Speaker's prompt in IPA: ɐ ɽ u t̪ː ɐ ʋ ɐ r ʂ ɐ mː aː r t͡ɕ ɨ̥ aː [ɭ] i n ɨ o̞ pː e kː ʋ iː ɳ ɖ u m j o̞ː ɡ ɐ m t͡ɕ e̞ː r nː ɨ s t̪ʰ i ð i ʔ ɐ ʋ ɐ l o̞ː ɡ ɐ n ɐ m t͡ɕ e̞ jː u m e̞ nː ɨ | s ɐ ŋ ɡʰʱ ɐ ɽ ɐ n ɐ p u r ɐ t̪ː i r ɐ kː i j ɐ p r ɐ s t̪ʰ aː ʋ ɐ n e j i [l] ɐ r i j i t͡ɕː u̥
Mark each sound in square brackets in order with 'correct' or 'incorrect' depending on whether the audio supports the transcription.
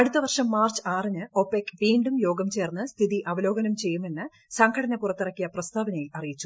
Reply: incorrect: r, correct

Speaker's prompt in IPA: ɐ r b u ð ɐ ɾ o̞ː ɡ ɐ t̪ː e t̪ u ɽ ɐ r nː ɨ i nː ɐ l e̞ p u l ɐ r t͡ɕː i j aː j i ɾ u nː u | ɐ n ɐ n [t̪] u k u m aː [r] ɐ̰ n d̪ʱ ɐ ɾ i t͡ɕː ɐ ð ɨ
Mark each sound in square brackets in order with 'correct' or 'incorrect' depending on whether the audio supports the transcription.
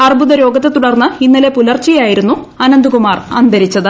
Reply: incorrect: d̪, correct

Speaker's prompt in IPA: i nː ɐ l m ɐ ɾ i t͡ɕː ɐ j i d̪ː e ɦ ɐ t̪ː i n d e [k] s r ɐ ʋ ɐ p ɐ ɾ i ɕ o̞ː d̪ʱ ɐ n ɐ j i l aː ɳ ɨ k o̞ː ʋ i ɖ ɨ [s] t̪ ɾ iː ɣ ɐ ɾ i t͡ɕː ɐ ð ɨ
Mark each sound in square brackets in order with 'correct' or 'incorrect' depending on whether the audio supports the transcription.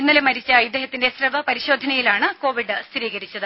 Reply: incorrect: none, correct

